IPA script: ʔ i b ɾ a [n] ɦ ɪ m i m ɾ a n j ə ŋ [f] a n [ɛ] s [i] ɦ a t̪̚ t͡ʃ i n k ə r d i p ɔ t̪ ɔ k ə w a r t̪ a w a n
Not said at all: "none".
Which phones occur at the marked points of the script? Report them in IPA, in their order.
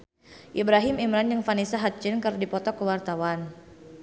none, f, i, a

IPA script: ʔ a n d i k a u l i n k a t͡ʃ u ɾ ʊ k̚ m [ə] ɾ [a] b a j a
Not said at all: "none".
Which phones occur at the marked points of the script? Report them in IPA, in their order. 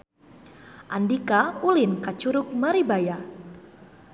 a, i

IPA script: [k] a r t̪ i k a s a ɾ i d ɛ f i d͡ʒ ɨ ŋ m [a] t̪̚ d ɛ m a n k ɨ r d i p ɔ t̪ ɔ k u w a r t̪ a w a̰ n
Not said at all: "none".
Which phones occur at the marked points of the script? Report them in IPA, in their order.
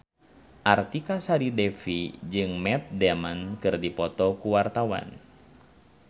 ʔ, ɛ

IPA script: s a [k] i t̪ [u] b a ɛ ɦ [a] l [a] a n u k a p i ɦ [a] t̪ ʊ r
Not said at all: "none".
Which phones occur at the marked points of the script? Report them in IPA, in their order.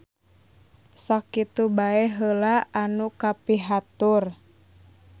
k, u, ə, a, a

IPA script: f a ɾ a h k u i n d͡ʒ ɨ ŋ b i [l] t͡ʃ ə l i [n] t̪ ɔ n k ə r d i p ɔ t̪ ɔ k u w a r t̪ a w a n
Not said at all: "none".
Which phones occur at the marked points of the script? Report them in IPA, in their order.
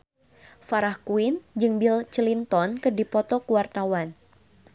l, n

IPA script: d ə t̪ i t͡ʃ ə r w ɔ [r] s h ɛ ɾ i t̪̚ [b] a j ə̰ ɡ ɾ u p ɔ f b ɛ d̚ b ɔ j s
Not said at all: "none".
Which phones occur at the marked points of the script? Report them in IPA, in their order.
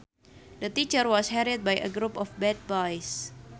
none, b

